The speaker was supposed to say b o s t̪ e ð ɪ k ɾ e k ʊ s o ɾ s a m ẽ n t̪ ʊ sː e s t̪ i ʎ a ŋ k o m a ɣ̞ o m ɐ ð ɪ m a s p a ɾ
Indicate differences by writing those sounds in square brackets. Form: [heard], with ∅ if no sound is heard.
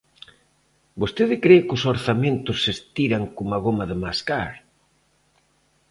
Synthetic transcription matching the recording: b o s t̪ e ð ɪ k ɾ e k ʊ s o ɾ [θ] a m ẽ n t̪ ʊ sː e s t̪ i [ɾ] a ŋ k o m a ɣ̞ o m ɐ ð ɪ m a s [k] a ɾ